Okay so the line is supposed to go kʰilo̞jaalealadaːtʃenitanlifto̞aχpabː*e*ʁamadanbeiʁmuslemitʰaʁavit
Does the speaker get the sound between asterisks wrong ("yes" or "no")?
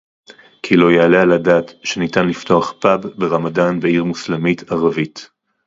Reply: no